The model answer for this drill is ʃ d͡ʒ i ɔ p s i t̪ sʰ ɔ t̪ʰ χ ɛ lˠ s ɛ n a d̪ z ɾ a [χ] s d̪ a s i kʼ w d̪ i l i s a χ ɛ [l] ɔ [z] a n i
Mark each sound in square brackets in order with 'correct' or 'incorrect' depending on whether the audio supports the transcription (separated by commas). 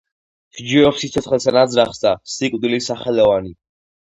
correct, correct, incorrect